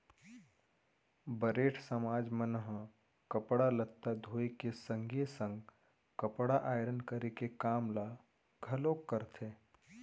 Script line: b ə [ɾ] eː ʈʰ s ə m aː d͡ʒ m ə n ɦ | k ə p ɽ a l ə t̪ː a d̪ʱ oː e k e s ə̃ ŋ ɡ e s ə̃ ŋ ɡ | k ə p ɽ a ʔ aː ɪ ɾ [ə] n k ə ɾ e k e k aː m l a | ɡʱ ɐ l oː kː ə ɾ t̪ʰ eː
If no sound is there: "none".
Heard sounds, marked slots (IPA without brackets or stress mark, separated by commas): ɾ, ə